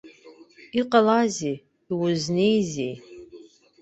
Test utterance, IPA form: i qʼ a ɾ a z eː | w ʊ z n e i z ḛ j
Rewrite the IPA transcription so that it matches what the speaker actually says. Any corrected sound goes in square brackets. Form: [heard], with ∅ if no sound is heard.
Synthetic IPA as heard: i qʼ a [l] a z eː | w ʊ z n e [j] z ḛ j

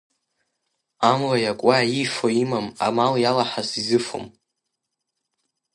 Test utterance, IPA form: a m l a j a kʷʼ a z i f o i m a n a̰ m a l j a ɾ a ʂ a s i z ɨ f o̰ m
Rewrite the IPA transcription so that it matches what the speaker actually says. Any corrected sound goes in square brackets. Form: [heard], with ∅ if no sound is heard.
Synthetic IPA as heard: a m l a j a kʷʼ a [∅] i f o i m a [m] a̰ m a l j a [l] a [ħ] a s i z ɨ f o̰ m

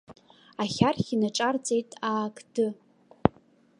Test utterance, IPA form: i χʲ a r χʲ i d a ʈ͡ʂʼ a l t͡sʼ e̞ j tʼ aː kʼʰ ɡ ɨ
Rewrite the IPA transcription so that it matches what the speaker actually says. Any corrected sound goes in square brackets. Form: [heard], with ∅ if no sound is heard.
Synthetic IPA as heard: [a] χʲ a r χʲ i [n] a ʈ͡ʂʼ a [r] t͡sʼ e̞ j tʼ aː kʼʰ [d] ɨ

